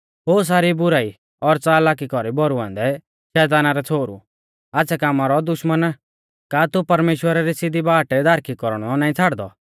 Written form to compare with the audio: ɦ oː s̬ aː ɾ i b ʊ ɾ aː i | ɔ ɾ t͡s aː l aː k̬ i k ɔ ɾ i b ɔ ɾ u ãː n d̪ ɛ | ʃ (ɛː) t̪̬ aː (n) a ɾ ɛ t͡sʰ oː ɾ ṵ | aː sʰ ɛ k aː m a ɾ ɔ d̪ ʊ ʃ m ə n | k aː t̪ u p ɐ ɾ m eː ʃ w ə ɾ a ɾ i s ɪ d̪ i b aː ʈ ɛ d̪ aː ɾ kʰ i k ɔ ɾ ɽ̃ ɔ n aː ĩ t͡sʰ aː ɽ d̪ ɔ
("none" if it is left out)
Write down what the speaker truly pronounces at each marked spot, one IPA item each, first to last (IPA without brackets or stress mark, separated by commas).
ɛː, n